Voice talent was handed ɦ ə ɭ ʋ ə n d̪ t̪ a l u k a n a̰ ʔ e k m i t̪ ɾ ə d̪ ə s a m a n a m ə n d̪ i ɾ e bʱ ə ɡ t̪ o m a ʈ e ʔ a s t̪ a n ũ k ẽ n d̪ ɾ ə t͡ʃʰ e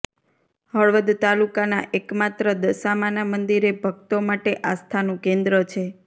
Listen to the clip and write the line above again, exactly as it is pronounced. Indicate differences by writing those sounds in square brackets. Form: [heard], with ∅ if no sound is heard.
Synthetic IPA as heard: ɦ ə ɭ ʋ ə [∅] d̪ t̪ a l u k a n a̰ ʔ e k m [a] t̪ ɾ ə d̪ ə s a m a n a m ə n d̪ i ɾ e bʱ ə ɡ t̪ o m a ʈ e ʔ a s [t̪ʰ] a n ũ k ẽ n d̪ ɾ ə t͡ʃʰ e